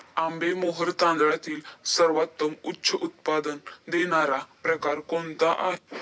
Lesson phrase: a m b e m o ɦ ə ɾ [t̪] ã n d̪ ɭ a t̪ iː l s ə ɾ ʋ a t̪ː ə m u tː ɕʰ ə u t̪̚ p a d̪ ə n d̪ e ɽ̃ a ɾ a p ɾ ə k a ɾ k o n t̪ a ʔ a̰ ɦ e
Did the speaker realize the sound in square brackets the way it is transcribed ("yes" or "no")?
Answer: yes